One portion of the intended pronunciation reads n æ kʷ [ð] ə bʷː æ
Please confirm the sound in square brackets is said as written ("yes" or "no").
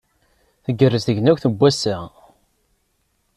no